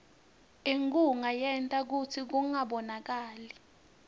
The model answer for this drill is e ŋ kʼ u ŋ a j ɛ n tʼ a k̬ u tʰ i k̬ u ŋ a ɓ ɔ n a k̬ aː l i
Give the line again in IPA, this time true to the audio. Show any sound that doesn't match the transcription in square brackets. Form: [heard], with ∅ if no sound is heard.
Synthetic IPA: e ŋ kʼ u ŋ a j ɛ n tʼ a k̬ u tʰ i k̬ u ŋ a ɓ ɔ n a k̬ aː l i